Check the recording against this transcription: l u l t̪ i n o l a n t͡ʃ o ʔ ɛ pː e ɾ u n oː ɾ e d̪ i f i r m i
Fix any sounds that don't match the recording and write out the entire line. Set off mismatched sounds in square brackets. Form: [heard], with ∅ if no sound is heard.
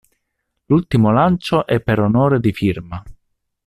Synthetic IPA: l u l t̪ i [m] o l a n t͡ʃ o ʔ ɛ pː e ɾ [o] n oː ɾ e d̪ i f i r m [a]